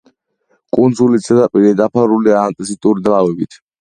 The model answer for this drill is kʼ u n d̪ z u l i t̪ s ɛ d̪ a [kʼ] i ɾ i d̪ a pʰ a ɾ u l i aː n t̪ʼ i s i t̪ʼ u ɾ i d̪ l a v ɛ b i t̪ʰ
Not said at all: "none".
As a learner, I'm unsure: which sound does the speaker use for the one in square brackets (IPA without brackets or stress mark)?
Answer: pʼ